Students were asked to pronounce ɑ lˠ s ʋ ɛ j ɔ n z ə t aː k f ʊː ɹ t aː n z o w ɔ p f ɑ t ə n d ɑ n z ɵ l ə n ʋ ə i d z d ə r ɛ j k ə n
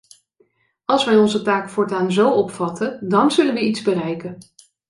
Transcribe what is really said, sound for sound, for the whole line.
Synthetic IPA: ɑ lˠ s ʋ ɛ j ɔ n z ə t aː k f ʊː ɹ t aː n z o w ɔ p f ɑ t ə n d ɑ n z ɵ l ə n ʋ ə i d z b ə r ɛ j k ə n